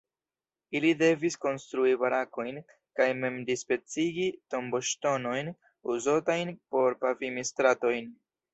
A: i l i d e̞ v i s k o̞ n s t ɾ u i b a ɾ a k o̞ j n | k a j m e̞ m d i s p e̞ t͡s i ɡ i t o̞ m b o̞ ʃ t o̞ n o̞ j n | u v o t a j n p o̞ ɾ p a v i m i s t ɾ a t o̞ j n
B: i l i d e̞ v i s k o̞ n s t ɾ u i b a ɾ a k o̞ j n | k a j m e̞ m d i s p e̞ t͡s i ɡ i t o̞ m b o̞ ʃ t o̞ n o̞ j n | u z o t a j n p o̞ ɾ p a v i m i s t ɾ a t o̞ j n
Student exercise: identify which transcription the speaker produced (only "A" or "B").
B